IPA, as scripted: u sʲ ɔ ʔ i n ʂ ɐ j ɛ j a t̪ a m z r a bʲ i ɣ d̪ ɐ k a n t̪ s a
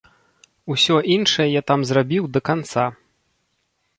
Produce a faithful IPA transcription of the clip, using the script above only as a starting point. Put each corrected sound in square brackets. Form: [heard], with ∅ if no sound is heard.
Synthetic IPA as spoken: u sʲ ɔ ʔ i n ʂ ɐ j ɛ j a t̪ a m z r a bʲ i [w] d̪ ɐ k a n t̪ s a